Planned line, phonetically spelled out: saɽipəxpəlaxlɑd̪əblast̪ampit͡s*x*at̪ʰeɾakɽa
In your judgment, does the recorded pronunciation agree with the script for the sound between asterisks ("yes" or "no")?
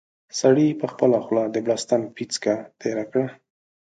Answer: no